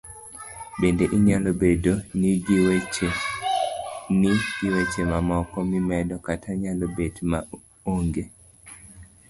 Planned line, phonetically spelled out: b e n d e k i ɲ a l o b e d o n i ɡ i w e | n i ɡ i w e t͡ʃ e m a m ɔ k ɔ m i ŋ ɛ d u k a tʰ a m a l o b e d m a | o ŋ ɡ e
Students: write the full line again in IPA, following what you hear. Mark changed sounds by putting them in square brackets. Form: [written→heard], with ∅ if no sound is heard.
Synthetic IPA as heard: b e n d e [k→ʔ] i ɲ a l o b e d o n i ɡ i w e | n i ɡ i w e t͡ʃ e m a m ɔ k ɔ m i [ŋ→m] ɛ d [u→ɔ] k a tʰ a [m→ɲ] a l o b e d m a | o ŋ ɡ e